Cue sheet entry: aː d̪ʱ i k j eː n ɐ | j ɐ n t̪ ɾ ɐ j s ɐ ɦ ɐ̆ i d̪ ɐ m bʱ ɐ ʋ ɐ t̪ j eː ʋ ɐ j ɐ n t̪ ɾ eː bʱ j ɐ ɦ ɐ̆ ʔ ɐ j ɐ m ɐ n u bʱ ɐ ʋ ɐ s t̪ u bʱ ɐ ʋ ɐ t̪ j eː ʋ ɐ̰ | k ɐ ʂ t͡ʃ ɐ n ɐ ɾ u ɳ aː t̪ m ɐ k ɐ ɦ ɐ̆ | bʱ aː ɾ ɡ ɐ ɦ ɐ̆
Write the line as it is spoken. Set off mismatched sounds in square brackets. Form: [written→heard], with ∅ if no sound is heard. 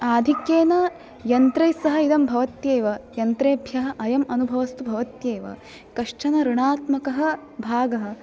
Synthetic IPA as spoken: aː d̪ʱ i k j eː n ɐ | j ɐ n t̪ ɾ ɐ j s ɐ ɦ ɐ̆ i d̪ ɐ m bʱ ɐ ʋ ɐ t̪ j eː ʋ ɐ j ɐ n t̪ ɾ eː bʱ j ɐ ɦ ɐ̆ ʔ ɐ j ɐ m ɐ n u bʱ ɐ ʋ ɐ s t̪ u bʱ ɐ ʋ ɐ t̪ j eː ʋ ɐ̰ | k ɐ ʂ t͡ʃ ɐ n ɐ ɾ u ɳ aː t̪ m ɐ k ɐ ɦ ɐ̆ | bʱ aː [ɾ→∅] ɡ ɐ ɦ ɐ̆